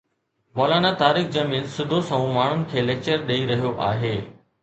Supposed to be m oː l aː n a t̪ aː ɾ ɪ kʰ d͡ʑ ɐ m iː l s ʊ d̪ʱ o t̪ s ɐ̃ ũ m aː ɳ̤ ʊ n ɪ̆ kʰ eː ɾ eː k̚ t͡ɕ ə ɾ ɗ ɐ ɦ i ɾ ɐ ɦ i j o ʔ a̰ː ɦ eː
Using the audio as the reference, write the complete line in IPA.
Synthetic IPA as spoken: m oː l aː n a t̪ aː ɾ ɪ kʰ d͡ʑ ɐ m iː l s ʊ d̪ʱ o s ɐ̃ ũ m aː ɳ̤ ʊ n ɪ̆ kʰ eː l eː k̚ t͡ɕ ə ɾ ɗ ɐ i ɾ ɐ ɦ i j o ʔ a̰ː ɦ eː